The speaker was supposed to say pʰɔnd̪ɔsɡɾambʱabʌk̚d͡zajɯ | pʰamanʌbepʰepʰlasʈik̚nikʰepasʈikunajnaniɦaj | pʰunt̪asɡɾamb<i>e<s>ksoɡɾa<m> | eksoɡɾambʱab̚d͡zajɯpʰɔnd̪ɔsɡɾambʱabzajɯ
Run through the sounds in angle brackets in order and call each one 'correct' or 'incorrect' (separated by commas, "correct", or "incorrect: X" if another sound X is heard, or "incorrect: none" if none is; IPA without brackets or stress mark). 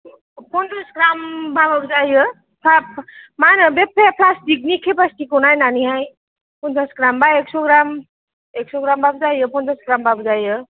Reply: incorrect: a, incorrect: none, correct